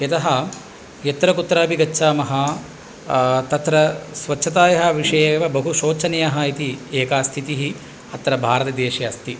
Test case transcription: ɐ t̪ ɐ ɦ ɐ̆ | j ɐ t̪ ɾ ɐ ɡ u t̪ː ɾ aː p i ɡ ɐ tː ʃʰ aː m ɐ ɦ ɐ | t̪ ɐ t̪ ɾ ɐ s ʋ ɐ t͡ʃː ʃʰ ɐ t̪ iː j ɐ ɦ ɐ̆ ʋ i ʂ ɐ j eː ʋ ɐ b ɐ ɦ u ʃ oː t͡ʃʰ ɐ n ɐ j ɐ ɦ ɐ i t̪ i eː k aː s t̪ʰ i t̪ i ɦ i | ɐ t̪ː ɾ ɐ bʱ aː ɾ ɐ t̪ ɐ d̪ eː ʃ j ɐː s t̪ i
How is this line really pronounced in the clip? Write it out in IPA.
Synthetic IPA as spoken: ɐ t̪ ɐ ɦ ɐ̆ | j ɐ t̪ ɾ ɐ k u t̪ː ɾ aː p i ɡ ɐ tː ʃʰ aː m ɐ ɦ ɐ | t̪ ɐ t̪ ɾ ɐ s ʋ ɐ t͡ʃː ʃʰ ɐ t̪ aː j ɐ ɦ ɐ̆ ʋ i ʂ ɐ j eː ʋ ɐ b ɐ ɦ u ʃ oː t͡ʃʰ ɐ n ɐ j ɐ ɦ ɐ i t̪ i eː k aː s t̪ʰ i t̪ i ɦ i | ɐ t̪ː ɾ ɐ bʱ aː ɾ ɐ t̪ ɐ d̪ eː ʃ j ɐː s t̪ i

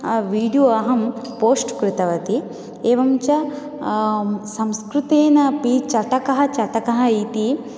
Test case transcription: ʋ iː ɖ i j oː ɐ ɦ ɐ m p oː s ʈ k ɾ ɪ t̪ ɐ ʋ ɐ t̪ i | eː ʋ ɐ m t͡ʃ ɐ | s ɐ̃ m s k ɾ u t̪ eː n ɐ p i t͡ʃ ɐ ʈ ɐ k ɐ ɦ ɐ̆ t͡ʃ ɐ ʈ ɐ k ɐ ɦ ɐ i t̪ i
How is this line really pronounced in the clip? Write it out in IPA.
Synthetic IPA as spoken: ʋ iː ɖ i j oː ɐ ɦ ɐ m p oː s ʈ k ɾ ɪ t̪ ɐ ʋ ɐ t̪ i | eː ʋ ɐ m t͡ʃ ɐ | s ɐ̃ m s k ɾ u t̪ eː n ɐ p i t͡ʃ ɐ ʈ ɐ k ɐ ɦ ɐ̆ t͡ʃ ɐ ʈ ɐ k ɐ ɦ ɐ i t̪ i

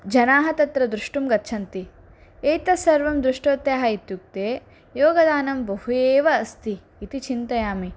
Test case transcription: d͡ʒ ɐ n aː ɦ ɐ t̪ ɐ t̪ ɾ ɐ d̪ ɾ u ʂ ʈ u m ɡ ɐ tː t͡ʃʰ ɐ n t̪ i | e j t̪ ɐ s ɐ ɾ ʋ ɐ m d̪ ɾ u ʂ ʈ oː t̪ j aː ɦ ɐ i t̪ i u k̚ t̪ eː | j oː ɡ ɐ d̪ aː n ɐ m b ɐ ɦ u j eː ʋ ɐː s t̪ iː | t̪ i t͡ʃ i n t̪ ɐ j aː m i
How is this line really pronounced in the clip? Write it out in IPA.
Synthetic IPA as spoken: d͡ʒ ɐ n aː ɦ ɐ t̪ ɐ t̪ ɾ ɐ d̪ ɾ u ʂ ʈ u m ɡ ɐ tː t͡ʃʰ ɐ n t̪ i | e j t̪ ɐ s ɐ ɾ ʋ ɐ m d̪ ɾ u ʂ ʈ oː t̪ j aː ɦ ɐ i t̪ j u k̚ t̪ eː | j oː ɡ ɐ d̪ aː n ɐ m b ɐ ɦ u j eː ʋ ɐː s t̪ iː | t̪ i t͡ʃ i n t̪ ɐ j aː m i

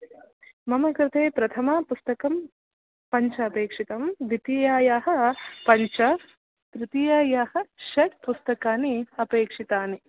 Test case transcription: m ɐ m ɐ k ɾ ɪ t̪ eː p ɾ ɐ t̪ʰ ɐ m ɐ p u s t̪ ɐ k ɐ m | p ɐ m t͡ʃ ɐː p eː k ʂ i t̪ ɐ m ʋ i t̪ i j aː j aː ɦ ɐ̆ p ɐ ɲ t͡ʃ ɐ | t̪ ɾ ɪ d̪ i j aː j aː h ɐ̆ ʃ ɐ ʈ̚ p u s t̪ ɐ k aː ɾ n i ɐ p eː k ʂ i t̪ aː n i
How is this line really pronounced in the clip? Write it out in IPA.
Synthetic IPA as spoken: m ɐ m ɐ k ɾ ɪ t̪ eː p ɾ ɐ t̪ʰ ɐ m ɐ p u s t̪ ɐ k ɐ m | p ɐ ɲ t͡ʃ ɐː p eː k ʂ i t̪ ɐ m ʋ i t̪ i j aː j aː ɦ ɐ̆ p ɐ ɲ t͡ʃ ɐ | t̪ ɾ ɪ t̪ i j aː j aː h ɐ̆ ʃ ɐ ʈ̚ p u s t̪ ɐ k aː n i ɐ p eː k ʂ i t̪ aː n i

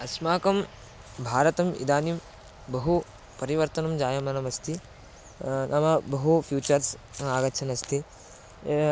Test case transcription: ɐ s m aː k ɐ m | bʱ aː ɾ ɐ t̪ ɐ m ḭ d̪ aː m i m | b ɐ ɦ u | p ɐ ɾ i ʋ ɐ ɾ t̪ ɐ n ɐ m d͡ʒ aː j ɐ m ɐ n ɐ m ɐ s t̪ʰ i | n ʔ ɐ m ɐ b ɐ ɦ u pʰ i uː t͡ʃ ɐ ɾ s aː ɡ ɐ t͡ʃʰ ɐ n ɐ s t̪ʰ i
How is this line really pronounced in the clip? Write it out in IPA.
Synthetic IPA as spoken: ɐ s m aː k ɐ m | bʱ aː ɾ ɐ t̪ ɐ m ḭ d̪ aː n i m | b ɐ ɦ u | p ɐ ɾ i ʋ ɐ ɾ t̪ ɐ n ɐ m d͡ʒ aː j ɐ m ɐ n ɐ m ɐ s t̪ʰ i | n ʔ ɐ m ɐ b ɐ ɦ u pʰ j uː t͡ʃ ɐ ɾ s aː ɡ ɐ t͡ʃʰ ɐ n ɐ s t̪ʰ i

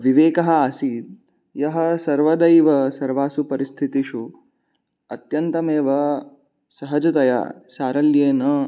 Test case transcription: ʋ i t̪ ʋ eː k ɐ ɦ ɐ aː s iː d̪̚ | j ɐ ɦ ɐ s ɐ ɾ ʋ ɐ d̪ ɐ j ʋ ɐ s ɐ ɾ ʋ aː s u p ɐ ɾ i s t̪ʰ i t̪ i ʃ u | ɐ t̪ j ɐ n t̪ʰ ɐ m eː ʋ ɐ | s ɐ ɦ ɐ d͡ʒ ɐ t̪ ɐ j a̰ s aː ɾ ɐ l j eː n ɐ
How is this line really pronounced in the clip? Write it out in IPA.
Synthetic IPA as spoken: ʋ i ʋ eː k ɐ ɦ ɐ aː s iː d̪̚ | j ɐ ɦ ɐ s ɐ ɾ ʋ ɐ d̪ ɐ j ʋ ɐ s ɐ ɾ ʋ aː s u p ɐ ɾ i s t̪ʰ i t̪ i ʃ u | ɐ t̪ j ɐ n t̪ ɐ m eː ʋ ɐ | s ɐ ɦ ɐ d͡ʒ ɐ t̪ ɐ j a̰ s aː ɾ ɐ l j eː n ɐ

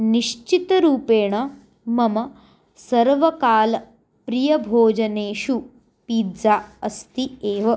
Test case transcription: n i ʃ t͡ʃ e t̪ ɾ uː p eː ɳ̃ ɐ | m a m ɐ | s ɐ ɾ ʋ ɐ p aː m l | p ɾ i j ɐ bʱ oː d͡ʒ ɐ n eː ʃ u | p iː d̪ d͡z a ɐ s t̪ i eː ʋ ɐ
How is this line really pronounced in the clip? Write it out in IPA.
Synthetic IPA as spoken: n i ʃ t͡ʃ i t̪ ɾ uː p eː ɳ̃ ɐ | m ɐ m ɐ | s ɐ ɾ ʋ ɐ k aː l | p ɾ i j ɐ bʱ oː d͡ʒ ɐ n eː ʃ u | p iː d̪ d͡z a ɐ s t̪ i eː ʋ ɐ

